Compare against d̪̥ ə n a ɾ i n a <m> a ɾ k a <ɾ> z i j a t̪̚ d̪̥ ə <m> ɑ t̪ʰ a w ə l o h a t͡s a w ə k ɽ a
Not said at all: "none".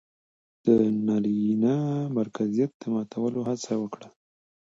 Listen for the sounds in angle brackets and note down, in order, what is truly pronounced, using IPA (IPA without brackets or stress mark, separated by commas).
m, none, m